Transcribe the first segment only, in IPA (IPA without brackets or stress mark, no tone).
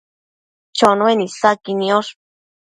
t͡ʃ